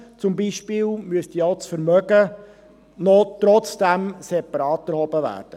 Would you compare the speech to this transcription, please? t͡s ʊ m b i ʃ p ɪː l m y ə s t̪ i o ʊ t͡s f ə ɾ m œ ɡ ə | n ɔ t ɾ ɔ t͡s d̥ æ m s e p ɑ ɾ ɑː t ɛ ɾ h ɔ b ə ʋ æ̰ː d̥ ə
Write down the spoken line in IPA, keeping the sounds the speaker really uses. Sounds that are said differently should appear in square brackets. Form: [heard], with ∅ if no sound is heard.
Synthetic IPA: t͡s ʊ m b i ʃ p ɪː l m y ə s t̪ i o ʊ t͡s f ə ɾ m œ ɡ ə | n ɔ t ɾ ɔ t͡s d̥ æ m s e p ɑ ɾ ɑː t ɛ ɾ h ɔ b ə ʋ æ̰ː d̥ ə